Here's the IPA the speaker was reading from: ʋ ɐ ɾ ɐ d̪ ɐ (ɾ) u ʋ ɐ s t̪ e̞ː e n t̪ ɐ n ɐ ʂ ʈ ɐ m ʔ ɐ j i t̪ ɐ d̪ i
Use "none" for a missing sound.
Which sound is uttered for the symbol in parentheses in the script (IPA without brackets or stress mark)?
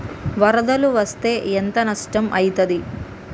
l